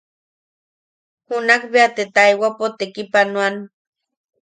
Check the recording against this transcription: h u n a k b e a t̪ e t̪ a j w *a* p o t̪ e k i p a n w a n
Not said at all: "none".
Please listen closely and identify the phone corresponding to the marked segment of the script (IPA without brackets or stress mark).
a